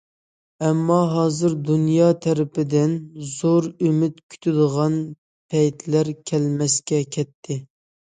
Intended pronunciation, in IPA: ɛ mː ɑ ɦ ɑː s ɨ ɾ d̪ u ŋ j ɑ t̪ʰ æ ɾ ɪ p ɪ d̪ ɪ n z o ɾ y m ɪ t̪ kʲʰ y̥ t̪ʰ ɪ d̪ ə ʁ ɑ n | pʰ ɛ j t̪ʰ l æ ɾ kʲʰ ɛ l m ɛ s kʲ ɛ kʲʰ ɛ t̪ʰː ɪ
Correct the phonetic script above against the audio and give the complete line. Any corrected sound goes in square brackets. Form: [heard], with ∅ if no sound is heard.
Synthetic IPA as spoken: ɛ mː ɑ ɦ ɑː [z] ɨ ɾ d̪ u [n] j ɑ t̪ʰ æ ɾ ɪ p ɪ d̪ ɪ n z o ɾ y m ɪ t̪ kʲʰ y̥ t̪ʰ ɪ d̪ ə ʁ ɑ n | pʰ ɛ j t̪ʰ l æ ɾ kʲʰ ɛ l m ɛ s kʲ ɛ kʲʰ ɛ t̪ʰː ɪ